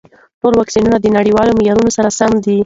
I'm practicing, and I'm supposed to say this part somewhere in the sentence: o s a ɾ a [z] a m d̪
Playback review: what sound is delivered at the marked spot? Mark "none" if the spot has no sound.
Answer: s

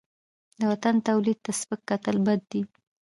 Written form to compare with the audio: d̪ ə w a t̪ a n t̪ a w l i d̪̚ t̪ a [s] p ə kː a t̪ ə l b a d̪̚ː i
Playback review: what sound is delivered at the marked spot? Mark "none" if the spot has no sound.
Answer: s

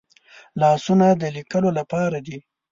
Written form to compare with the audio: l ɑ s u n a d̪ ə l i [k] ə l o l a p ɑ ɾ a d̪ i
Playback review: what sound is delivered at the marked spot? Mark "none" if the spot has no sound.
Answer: k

